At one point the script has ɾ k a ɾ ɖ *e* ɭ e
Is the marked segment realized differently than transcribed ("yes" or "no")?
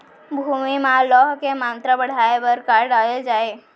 yes